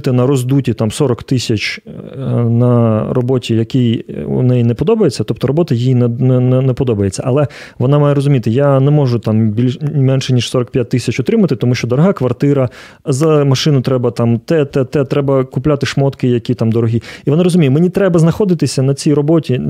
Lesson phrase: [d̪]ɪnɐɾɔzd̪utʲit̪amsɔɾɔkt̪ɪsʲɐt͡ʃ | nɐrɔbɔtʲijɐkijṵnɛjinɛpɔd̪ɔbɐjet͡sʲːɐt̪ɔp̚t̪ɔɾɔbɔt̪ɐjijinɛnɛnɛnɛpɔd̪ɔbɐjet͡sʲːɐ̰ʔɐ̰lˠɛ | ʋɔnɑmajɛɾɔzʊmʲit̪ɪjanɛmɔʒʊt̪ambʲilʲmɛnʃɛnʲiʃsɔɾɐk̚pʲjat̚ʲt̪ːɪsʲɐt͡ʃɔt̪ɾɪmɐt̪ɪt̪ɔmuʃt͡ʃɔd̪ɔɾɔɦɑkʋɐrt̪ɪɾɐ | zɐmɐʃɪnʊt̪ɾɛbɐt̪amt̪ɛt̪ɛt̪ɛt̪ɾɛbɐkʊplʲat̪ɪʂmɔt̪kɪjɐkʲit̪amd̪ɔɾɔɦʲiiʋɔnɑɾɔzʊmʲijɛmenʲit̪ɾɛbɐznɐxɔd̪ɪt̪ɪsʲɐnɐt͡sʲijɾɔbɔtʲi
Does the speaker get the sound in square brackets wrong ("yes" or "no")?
yes